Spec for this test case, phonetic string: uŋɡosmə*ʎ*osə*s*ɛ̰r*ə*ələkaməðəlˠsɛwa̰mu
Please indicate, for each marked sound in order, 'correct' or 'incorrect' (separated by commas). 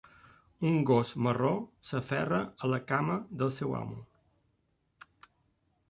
incorrect, incorrect, correct